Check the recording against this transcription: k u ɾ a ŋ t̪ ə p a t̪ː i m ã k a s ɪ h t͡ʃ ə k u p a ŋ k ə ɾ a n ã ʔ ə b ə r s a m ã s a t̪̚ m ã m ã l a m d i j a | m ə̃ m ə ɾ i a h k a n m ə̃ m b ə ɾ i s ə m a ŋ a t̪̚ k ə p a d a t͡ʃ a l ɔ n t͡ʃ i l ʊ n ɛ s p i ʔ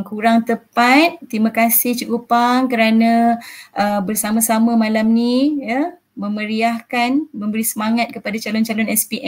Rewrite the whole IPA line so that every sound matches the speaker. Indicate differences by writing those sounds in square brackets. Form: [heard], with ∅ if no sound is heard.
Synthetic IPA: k u ɾ a ŋ t̪ ə p a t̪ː i m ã k a s ɪ h t͡ʃ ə k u p a ŋ k ə ɾ a n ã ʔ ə b ə r s a m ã s a [∅] m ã m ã l a m [n] i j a | m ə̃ m ə ɾ i a h k a n m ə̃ m b ə ɾ i s ə m a ŋ a t̪̚ k ə p a d a t͡ʃ a l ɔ n t͡ʃ [a] l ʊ n ɛ s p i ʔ